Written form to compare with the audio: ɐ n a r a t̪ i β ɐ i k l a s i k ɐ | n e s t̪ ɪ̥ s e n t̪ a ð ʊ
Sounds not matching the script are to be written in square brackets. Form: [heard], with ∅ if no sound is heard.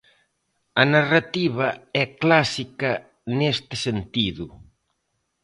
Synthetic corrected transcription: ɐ n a r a t̪ i β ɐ [ɛ] k l a s i k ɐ | n e s t̪ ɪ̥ s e n t̪ [i] ð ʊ